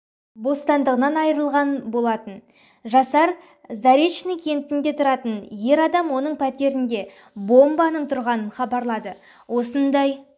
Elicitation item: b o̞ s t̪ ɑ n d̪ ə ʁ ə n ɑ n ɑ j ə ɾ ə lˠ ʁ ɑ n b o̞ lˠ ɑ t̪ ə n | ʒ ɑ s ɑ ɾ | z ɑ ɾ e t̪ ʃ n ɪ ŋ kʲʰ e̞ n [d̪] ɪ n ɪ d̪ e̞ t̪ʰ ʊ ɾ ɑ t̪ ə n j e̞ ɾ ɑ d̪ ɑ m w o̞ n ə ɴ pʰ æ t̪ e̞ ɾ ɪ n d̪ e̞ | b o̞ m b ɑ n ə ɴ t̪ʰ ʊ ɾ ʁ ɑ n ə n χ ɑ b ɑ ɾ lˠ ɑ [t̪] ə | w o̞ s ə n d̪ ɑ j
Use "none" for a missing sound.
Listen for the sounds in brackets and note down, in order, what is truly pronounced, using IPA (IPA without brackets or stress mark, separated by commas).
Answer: t̪, d̪